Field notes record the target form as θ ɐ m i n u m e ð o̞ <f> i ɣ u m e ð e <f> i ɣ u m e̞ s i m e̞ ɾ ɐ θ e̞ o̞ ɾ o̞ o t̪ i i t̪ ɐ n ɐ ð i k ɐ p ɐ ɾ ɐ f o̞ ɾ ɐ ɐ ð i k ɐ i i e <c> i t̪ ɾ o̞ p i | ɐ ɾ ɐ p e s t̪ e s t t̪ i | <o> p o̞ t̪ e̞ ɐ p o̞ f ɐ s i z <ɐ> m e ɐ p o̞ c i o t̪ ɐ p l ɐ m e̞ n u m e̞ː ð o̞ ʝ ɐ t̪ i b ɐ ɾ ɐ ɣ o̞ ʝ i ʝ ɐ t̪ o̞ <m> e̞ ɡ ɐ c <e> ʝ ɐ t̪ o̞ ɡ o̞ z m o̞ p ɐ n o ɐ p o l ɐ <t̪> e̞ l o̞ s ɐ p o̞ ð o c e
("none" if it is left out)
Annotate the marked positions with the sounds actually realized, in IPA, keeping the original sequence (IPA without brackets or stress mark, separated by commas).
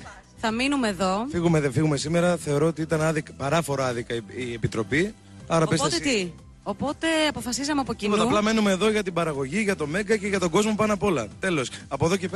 f, f, p, o, ɐ, m, e, t̪